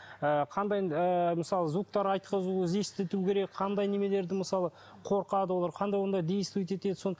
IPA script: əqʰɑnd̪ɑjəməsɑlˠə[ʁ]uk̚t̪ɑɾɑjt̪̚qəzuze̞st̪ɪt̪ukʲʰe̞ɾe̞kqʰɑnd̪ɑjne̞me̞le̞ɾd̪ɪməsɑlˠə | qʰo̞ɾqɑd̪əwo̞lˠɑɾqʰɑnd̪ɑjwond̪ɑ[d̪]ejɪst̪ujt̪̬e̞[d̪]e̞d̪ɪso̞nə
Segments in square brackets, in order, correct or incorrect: incorrect: z, correct, incorrect: t̪

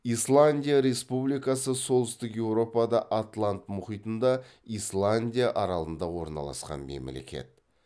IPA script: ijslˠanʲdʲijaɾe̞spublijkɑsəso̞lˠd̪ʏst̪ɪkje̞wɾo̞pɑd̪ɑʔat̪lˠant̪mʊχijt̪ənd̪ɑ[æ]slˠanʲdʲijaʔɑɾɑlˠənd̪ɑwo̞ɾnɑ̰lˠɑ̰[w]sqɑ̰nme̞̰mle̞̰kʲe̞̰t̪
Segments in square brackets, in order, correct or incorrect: incorrect: i, incorrect: none

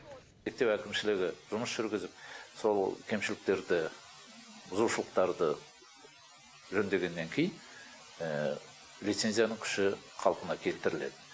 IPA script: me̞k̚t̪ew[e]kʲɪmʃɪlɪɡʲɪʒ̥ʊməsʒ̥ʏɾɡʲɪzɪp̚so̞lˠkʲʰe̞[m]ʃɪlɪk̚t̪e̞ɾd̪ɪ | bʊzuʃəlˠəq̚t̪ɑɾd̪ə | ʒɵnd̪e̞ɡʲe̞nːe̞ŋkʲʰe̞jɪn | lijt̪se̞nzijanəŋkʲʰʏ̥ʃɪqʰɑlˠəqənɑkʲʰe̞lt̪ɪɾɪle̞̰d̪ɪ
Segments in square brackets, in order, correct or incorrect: incorrect: æ, correct

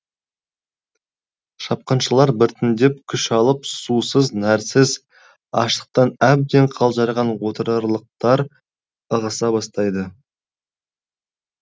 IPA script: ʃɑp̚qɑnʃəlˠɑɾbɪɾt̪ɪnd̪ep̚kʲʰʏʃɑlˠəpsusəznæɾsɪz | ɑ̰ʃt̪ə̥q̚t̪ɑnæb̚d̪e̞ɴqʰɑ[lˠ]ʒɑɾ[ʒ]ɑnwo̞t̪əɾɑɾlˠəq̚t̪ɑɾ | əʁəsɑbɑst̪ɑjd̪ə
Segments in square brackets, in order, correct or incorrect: correct, incorrect: ʁ

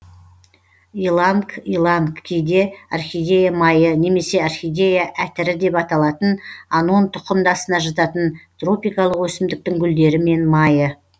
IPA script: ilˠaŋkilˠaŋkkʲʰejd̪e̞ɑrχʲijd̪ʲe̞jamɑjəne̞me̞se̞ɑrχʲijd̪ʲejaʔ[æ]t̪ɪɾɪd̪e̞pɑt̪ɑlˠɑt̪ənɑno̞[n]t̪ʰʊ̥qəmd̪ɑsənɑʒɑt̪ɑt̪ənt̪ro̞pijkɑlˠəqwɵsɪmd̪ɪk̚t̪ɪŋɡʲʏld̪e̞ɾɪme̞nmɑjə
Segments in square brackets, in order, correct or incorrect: correct, correct

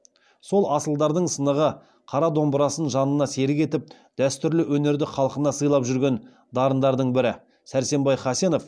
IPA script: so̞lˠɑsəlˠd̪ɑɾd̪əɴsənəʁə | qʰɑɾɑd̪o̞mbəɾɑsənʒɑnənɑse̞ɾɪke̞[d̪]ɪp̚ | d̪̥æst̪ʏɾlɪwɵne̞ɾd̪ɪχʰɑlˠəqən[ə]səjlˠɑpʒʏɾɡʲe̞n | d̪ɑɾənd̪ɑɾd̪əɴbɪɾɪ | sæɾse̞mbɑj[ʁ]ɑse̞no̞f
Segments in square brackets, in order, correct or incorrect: incorrect: t̪, incorrect: ɑ, incorrect: χ

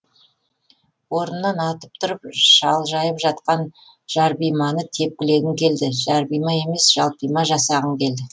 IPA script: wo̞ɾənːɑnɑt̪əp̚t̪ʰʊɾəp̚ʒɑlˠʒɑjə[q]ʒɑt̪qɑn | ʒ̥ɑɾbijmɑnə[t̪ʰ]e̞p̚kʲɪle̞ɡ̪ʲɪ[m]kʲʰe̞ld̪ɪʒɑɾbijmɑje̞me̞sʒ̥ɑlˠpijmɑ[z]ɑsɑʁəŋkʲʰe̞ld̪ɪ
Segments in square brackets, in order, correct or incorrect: incorrect: p, correct, incorrect: ŋ, incorrect: ʒ

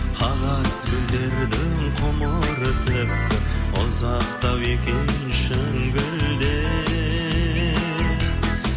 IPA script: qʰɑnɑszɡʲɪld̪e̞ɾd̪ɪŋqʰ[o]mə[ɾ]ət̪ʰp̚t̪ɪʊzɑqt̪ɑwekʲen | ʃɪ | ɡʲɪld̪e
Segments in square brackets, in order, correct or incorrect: correct, correct

